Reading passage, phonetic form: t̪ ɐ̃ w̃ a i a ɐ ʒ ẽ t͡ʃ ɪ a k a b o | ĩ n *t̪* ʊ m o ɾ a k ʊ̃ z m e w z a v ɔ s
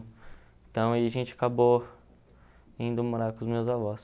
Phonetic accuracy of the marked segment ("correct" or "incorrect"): incorrect